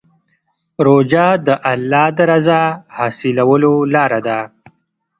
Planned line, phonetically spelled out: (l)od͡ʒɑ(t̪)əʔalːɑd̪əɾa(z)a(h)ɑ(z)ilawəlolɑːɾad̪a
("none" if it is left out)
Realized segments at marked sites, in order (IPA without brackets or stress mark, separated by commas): ɾ, d̪, z, h, s